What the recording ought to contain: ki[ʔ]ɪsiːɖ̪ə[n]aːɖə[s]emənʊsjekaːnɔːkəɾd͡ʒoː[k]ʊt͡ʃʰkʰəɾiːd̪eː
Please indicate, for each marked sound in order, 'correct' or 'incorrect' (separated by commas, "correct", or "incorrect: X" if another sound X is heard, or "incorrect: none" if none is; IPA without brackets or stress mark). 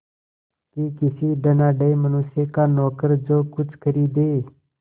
incorrect: k, correct, incorrect: none, correct